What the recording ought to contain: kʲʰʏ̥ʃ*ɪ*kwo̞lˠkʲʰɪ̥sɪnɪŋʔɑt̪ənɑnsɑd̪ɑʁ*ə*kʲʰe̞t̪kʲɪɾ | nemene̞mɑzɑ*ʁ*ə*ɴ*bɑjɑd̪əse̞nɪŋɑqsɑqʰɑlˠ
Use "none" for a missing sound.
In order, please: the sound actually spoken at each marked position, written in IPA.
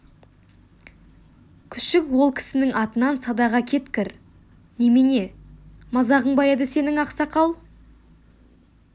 ɪ, ɑ, ʁ, ɴ

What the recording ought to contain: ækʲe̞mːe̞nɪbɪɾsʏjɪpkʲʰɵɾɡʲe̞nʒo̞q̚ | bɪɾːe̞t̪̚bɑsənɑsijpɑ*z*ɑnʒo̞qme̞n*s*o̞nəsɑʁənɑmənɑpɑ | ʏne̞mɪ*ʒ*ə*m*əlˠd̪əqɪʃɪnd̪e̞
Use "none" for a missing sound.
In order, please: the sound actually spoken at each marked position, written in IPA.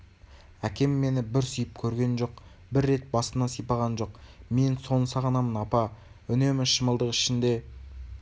ʁ, s, ʃ, m

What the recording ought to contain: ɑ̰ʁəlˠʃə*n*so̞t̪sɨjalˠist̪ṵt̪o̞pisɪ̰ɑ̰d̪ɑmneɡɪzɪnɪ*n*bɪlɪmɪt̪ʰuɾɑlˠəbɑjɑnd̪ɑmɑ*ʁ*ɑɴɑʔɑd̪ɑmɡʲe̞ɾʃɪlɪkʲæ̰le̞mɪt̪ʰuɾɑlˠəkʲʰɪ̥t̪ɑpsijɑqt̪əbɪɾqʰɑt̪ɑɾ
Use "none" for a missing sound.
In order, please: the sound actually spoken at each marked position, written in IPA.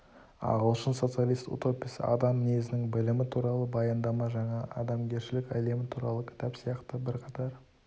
n, ŋ, ʒ

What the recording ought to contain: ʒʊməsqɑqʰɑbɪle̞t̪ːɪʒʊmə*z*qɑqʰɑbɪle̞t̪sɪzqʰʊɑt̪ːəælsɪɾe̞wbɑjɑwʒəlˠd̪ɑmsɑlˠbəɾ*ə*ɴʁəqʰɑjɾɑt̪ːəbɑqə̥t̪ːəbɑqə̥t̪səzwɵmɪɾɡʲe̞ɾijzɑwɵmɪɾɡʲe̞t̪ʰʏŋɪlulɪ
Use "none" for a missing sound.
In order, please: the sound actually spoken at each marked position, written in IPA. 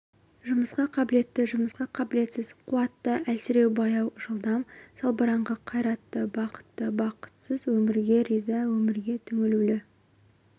s, ɑ

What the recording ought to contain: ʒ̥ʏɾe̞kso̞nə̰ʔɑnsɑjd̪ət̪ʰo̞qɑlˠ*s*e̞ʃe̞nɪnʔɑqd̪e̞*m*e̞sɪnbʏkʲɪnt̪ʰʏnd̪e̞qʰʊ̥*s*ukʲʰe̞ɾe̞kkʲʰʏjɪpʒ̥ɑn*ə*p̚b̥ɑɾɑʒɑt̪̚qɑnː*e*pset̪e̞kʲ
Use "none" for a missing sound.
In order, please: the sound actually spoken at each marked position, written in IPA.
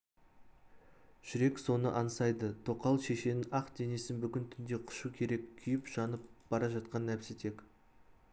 ʃ, n, ʃ, ə, æ

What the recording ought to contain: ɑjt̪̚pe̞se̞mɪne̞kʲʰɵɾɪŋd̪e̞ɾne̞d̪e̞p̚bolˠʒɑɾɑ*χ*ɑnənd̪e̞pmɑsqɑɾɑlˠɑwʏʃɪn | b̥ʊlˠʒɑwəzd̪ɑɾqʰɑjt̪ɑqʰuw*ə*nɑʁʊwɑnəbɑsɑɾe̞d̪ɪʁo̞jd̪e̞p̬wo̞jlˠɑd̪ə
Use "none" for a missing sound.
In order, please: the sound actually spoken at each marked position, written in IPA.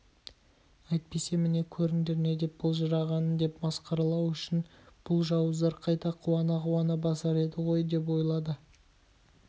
ʁ, ɑ

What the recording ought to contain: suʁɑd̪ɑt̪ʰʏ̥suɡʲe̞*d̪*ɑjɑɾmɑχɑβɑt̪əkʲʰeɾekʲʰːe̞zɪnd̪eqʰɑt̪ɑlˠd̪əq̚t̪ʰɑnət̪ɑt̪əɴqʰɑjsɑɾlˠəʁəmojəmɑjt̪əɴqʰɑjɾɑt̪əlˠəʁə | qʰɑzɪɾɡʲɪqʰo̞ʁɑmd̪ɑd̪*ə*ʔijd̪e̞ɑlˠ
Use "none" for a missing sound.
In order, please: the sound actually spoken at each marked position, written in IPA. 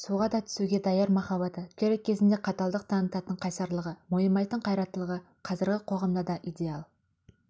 d̪, ɑ

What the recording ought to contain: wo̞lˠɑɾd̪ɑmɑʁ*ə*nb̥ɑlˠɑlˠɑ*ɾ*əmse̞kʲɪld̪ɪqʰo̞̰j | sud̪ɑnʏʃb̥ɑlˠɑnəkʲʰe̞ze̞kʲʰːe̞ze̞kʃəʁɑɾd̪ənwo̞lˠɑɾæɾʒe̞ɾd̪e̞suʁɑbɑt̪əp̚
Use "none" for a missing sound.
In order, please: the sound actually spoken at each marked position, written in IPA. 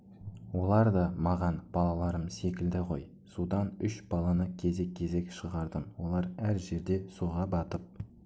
ɑ, ɾ

